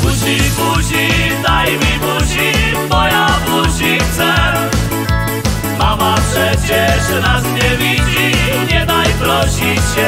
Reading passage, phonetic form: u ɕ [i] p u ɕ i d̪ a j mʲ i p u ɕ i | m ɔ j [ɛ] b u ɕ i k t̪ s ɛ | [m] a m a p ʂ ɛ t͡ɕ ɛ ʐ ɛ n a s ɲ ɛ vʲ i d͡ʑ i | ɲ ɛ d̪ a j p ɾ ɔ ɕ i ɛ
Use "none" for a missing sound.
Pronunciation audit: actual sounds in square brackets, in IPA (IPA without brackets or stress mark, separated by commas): i, a, m